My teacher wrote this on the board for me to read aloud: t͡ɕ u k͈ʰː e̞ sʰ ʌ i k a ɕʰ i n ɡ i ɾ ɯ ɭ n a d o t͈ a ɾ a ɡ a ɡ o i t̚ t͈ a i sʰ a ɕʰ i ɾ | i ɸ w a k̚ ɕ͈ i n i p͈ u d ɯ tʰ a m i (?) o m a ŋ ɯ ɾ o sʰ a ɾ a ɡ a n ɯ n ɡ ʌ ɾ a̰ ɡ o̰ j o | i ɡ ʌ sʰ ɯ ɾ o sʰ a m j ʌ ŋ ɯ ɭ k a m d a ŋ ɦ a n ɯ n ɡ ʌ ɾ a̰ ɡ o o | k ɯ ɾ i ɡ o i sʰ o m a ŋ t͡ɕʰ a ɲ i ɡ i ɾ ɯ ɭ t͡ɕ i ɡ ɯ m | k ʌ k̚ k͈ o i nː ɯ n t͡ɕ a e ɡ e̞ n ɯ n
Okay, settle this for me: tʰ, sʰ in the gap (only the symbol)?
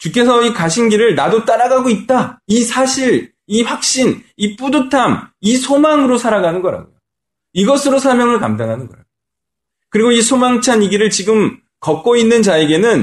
sʰ